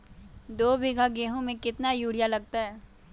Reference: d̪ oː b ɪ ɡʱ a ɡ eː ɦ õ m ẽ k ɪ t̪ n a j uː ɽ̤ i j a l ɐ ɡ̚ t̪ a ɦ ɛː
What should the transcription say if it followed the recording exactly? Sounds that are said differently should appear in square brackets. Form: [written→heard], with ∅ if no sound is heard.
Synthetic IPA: d̪ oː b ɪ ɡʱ a ɡ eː ɦ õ m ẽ k ɪ t̪ n a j uː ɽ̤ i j a l ɐ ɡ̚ t̪ a ɦ ɛː

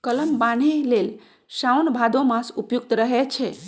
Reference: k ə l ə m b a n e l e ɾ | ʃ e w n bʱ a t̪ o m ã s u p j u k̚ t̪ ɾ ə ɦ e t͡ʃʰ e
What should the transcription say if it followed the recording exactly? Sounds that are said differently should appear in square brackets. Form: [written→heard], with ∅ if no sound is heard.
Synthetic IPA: k ə l ə m b a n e l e [ɾ→l] | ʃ [e→a] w n bʱ a [t̪→d̪] o m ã s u p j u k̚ t̪ ɾ ə ɦ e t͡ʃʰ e

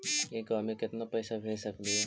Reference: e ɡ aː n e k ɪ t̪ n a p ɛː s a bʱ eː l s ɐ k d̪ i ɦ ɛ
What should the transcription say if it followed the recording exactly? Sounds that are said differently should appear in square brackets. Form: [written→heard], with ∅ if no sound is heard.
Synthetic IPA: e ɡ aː [n→m] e k ɪ t̪ n a p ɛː s a bʱ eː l s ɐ k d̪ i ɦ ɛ

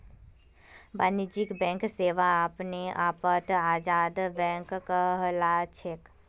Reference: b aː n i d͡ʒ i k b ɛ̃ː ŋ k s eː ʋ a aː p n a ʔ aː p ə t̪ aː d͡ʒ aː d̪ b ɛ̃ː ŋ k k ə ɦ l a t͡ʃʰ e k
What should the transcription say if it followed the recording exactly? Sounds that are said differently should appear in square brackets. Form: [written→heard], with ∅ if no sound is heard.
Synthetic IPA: b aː n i d͡ʒ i k b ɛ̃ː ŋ k s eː ʋ a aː p n [a→e] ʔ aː p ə t̪ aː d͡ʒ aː d̪ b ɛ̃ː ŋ k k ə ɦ l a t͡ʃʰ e k

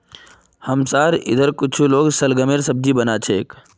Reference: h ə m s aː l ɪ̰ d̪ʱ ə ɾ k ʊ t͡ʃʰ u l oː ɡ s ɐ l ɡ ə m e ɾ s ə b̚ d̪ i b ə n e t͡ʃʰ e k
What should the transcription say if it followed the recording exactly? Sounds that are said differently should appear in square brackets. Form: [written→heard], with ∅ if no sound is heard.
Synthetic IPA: h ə m s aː [l→ɾ] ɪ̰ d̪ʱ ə ɾ k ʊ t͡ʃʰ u l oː ɡ s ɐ l ɡ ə m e ɾ s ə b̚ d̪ i b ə n [e→a] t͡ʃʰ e k

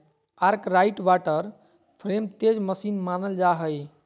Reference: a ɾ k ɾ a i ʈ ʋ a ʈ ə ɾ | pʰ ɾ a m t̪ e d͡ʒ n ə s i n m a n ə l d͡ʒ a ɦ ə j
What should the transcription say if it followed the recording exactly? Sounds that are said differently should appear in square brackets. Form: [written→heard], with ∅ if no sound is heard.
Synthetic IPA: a ɾ k ɾ a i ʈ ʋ a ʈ ə ɾ | pʰ ɾ [a→e] m t̪ e d͡ʒ [n→m] ə s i n m a n ə l d͡ʒ a ɦ ə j

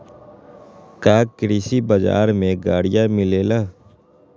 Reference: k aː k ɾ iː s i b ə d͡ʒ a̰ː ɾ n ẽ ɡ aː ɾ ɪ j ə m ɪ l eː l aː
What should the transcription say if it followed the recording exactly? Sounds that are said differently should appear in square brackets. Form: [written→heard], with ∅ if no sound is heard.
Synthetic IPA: k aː k ɾ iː s i b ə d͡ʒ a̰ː ɾ [n→m] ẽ ɡ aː [ɾ→ɽ] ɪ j [ə→a] m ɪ l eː l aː

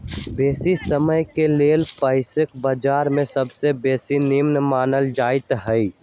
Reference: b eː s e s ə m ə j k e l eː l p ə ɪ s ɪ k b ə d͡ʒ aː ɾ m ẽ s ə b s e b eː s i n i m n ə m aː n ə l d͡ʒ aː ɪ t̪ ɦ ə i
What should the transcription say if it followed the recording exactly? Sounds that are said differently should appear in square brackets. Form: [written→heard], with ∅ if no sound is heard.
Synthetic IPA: b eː s [e→i] s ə m ə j k e l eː l p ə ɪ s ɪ k b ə d͡ʒ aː ɾ m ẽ s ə b s e b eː s i n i m n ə m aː n ə l d͡ʒ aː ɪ t̪ ɦ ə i

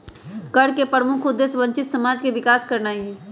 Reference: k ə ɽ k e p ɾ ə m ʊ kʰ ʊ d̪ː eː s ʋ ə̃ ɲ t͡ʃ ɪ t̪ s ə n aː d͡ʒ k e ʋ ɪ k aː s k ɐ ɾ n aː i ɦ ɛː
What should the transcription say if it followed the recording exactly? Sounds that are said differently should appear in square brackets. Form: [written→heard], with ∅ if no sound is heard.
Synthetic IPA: k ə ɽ k e p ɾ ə m ʊ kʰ ʊ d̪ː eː s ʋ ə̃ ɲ t͡ʃ ɪ t̪ s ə [n→m] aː d͡ʒ k e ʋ ɪ k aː s k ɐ ɾ n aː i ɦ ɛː

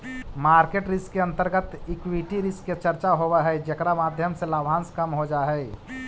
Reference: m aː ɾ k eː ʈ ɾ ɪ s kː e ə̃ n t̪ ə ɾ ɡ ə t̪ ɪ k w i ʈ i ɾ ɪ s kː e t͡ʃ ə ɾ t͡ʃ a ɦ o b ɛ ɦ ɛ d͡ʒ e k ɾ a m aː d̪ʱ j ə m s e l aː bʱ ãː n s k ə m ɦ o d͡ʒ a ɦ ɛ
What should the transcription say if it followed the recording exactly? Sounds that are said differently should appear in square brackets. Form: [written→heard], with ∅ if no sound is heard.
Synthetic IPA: m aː ɾ k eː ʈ ɾ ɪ s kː e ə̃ n t̪ ə ɾ ɡ ə t̪ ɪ k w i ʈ i ɾ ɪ s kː e t͡ʃ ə ɾ t͡ʃ a ɦ o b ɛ ɦ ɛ d͡ʒ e k ɾ a m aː d̪ʱ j ə m s e l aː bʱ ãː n s k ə m ɦ o d͡ʒ a ɦ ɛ

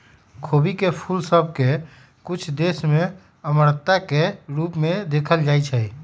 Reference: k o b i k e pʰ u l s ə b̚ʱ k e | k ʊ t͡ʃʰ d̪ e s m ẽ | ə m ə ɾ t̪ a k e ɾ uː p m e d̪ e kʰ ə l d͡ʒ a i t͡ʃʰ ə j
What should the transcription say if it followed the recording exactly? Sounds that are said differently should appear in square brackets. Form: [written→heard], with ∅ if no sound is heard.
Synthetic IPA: [k→kʰ] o b i k e pʰ u l s ə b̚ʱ k e | k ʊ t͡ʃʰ d̪ e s m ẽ | ə m ə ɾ t̪ a k e ɾ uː p m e d̪ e kʰ ə l d͡ʒ a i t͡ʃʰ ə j

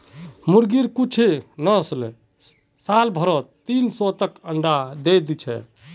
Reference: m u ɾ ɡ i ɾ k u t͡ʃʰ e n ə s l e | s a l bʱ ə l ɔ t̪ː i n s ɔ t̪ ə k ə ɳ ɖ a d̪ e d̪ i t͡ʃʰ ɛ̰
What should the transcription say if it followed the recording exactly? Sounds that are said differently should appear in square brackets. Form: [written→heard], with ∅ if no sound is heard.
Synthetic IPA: m u ɾ ɡ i ɾ k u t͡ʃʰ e n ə s l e | s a l bʱ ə [l→ɾ] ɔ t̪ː i n s ɔ t̪ ə k ə ɳ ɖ a d̪ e d̪ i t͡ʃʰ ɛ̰

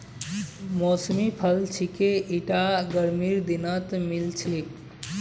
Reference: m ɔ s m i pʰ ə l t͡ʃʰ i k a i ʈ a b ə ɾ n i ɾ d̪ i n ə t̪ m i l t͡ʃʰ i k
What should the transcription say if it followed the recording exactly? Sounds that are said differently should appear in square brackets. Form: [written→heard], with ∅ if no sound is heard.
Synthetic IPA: m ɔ s m i pʰ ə l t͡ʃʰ i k [a→e] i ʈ a [b→ɡ] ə ɾ [n→m] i ɾ d̪ i n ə t̪ m i l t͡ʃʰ i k

